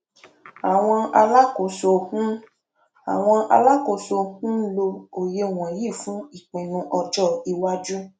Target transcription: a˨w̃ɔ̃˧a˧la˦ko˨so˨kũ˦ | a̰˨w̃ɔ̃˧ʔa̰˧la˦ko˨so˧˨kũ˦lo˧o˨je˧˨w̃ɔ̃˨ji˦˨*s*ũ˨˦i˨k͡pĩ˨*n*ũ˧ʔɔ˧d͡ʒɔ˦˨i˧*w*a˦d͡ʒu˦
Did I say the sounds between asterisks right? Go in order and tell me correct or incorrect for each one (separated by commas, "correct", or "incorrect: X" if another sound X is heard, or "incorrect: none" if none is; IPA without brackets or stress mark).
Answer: incorrect: f, correct, correct